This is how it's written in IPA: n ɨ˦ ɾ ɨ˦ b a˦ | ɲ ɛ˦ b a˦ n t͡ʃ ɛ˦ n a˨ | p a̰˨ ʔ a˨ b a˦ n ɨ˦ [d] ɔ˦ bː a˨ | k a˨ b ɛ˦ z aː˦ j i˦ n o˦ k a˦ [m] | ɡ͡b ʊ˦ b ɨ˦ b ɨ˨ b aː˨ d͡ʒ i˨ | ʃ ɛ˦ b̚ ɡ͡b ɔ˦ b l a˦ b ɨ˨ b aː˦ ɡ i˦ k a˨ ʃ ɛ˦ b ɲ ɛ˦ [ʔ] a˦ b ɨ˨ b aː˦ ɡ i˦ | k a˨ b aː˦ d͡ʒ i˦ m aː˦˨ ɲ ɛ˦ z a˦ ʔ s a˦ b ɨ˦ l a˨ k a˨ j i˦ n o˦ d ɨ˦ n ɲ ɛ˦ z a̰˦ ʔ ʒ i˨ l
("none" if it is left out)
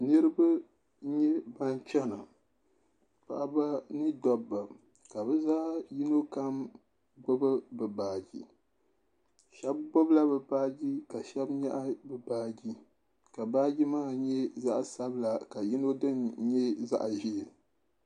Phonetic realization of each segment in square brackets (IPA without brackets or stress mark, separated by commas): d, m, ʔ